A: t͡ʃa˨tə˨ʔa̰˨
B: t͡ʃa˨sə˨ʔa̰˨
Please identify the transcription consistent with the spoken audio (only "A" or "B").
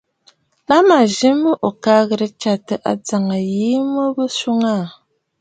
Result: A